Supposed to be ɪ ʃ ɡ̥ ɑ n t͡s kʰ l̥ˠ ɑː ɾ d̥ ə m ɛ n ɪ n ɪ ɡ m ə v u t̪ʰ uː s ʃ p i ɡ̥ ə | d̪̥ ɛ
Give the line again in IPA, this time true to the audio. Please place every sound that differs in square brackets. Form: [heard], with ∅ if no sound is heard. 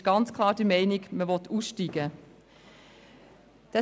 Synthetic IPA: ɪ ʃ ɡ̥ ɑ n t͡s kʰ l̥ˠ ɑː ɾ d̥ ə m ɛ [∅] ɪ n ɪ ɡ m ə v [ɔ] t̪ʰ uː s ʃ [t] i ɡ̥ ə | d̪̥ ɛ